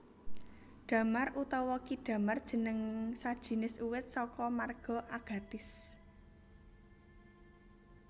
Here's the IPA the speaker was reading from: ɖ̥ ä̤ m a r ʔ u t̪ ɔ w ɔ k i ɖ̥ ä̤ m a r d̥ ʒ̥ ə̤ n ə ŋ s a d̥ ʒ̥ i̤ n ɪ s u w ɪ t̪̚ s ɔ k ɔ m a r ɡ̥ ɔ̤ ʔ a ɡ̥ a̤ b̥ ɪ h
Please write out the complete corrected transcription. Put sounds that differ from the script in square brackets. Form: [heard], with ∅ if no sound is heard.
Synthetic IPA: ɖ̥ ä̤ m a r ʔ u t̪ ɔ w ɔ k i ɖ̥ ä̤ m a r d̥ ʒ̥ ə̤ n ə ŋ s a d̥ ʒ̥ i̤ n ɪ s u w ɪ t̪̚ s ɔ k ɔ m a r ɡ̥ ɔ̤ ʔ a ɡ̥ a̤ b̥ ɪ [s]